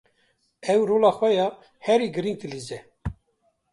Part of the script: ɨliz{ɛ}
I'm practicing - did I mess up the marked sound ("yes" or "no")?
no